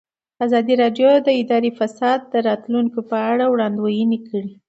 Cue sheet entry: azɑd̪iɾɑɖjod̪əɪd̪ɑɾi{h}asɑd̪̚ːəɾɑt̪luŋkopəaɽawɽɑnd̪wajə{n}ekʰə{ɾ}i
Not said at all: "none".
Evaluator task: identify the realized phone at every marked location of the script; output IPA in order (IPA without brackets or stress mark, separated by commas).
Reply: f, n, ɽ